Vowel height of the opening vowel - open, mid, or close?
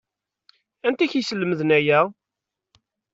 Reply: open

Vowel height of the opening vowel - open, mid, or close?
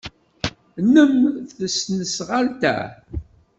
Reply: mid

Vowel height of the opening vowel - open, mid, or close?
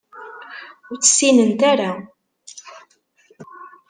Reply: close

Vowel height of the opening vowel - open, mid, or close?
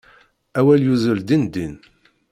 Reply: open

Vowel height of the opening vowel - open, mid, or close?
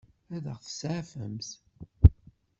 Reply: open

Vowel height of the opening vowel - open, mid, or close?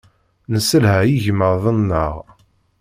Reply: mid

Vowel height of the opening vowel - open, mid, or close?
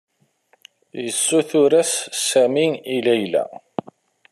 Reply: mid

